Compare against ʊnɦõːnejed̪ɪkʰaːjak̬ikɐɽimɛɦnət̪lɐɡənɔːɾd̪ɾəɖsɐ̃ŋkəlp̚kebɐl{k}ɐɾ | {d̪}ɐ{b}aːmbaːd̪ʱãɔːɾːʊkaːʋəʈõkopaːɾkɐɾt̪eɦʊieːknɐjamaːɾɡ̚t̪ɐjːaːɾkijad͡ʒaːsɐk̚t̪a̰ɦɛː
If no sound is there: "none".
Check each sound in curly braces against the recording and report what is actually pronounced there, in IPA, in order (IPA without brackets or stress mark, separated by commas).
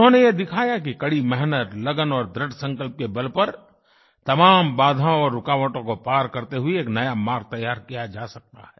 p, t̪, m